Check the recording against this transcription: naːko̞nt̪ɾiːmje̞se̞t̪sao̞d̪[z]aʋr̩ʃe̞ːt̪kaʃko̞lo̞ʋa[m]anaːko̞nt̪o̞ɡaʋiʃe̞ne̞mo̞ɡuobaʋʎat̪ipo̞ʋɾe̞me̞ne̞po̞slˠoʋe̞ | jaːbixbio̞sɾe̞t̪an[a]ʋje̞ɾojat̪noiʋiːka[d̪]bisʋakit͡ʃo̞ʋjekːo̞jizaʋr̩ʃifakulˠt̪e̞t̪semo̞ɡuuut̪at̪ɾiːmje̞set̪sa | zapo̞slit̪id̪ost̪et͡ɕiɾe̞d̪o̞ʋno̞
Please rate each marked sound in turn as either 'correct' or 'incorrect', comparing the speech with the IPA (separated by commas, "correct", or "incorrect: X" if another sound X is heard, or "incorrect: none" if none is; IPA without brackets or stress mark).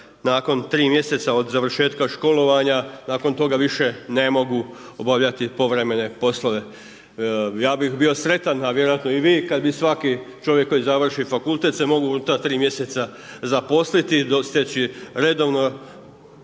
correct, incorrect: ɲ, correct, correct